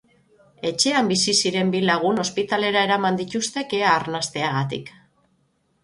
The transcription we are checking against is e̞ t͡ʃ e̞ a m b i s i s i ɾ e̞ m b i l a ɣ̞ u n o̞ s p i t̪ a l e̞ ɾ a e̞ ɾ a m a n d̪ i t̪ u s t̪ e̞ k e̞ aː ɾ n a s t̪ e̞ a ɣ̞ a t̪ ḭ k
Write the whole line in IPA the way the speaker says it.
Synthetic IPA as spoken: e̞ t͡ʃ e̞ a m b i s i s i ɾ e̞ m b i l a ɣ̞ u n o̞ s p i t̪ a l e̞ ɾ a e̞ ɾ a m a n d̪ i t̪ u s t̪ e̞ k e̞ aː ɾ n a s t̪ e̞ a ɣ̞ a t̪ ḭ k